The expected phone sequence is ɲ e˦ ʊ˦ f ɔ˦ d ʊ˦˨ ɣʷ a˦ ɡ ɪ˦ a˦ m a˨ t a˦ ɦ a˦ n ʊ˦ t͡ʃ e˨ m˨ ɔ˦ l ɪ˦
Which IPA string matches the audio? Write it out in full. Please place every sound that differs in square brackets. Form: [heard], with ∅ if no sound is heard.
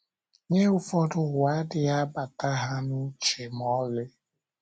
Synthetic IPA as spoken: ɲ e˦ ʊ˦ f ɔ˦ d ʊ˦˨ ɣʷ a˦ [d] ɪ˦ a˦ [b] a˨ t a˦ ɦ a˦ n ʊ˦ t͡ʃ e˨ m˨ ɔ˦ l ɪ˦